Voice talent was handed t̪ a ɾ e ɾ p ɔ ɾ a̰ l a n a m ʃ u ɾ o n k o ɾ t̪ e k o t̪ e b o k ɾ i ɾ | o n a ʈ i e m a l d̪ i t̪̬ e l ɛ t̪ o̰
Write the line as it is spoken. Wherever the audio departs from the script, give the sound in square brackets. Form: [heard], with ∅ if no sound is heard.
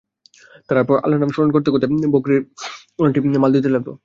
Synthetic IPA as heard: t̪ a ɾ [a] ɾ p ɔ ɾ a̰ l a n a m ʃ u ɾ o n k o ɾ t̪ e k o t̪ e b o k ɾ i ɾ | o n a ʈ i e m a l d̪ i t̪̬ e l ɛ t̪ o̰